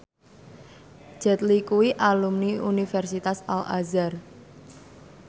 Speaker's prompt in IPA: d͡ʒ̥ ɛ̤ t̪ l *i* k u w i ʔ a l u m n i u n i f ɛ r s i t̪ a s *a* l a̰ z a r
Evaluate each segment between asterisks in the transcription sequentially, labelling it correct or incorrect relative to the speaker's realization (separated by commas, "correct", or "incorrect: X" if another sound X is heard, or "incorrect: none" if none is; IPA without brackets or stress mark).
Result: correct, correct